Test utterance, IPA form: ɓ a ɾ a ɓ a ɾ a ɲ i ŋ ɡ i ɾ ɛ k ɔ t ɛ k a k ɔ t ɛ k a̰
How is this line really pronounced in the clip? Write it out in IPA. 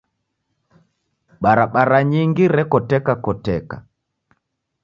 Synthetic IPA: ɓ a ɾ a ɓ a ɾ a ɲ i ŋ ɡ i ɾ ɛ k ɔ t ɛ k a k ɔ t ɛ k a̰

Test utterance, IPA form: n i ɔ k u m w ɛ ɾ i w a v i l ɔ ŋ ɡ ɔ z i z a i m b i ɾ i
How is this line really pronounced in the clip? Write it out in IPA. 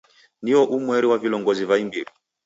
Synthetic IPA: n i ɔ ʔ u m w ɛ ɾ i w a v i l ɔ ŋ ɡ ɔ z i v a i m b i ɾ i

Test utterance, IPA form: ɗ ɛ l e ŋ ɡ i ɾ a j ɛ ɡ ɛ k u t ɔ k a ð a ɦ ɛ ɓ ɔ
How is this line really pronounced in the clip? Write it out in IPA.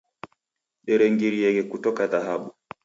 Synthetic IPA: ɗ ɛ ɾ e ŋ ɡ i ɾ i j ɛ ɡ ɛ k u t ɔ k a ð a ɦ a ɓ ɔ

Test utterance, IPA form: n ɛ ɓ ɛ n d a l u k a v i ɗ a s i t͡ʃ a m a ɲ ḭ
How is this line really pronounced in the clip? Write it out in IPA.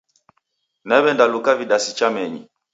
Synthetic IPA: n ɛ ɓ ɛ n d a l u k a v i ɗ a s i t͡ʃ a m ɛ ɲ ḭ

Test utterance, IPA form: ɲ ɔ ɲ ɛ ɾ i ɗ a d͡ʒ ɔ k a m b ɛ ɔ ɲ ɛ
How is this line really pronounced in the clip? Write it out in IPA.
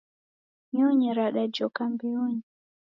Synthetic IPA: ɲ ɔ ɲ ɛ ɾ a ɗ a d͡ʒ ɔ k a m b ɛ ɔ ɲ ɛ

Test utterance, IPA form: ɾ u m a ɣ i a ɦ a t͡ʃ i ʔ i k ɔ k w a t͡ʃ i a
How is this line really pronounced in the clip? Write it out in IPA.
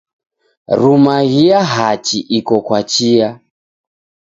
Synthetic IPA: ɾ u m a ɣ i a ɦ a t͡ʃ i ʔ i k ɔ k w a t͡ʃ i a

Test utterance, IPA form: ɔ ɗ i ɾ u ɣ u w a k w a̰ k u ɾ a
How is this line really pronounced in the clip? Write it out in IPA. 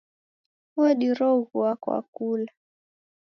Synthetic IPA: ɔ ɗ i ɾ ɔ ɣ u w a k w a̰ k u l a

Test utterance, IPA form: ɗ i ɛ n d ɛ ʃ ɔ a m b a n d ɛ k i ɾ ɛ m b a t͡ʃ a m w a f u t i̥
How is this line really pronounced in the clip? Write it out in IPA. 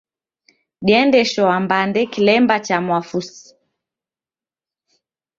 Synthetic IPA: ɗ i ɛ n d ɛ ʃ ɔ a m b a n d ɛ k i l ɛ m b a t͡ʃ a m w a f u s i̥

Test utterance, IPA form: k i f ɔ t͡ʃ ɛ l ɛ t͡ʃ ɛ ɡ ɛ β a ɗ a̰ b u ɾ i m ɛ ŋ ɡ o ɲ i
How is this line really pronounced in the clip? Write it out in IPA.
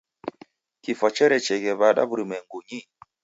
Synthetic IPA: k i f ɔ t͡ʃ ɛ ɾ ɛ t͡ʃ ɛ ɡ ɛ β a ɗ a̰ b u ɾ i m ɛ ŋ ɡ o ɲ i

